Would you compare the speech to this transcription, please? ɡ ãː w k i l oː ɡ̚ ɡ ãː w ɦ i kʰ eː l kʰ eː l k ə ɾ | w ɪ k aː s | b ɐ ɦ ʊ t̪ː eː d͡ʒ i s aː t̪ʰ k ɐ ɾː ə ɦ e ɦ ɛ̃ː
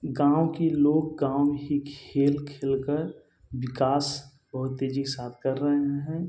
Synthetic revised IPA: ɡ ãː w k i l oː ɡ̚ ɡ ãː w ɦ i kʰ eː l kʰ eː l k ə ɾ | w ɪ k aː s | b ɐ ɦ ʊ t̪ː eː d͡ʒ i s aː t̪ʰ k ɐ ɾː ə ɦ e ɦ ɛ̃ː